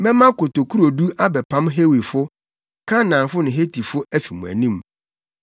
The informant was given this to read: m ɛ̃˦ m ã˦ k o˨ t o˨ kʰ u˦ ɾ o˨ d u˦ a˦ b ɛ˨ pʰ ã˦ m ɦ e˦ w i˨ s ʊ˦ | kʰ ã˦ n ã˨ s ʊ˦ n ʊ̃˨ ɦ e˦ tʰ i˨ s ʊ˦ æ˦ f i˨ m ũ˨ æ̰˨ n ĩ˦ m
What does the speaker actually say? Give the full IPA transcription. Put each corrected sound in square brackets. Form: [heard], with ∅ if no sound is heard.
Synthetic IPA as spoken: m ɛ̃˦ m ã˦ k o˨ t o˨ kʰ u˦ ɾ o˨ d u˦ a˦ b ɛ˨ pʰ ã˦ m ɦ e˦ w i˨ [f] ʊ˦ | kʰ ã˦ n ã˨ [f] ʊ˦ n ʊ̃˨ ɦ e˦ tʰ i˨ [f] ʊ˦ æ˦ f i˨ m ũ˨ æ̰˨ n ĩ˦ m